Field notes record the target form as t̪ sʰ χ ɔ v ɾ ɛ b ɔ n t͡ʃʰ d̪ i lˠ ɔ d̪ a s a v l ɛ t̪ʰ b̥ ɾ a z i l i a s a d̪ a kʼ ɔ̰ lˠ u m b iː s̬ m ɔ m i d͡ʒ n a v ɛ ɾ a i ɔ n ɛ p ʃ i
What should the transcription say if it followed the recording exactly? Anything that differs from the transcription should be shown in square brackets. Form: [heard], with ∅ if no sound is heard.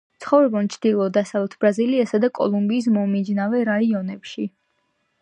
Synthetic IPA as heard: t̪ sʰ χ ɔ v ɾ ɛ b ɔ n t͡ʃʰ d̪ i lˠ ɔ d̪ a s a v l ɛ t̪ʰ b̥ ɾ a z i l i a s a d̪ a kʼ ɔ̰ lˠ u m b iː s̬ m ɔ m i d͡ʒ n a v ɛ ɾ a i ɔ n ɛ p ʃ i